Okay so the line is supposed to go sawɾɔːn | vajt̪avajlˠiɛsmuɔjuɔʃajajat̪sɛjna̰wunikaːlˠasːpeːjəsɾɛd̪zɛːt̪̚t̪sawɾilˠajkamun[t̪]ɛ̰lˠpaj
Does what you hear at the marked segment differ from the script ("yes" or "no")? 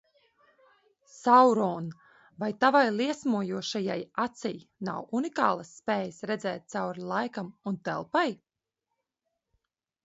no